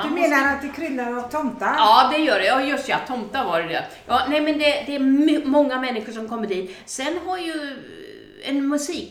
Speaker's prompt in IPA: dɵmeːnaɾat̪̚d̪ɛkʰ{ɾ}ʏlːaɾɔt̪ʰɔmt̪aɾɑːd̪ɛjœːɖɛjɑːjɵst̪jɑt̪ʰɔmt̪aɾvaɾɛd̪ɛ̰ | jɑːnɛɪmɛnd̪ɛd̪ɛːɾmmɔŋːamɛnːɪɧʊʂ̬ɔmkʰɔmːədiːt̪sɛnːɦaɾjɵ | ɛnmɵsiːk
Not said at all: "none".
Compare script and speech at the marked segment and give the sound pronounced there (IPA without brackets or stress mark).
ɾ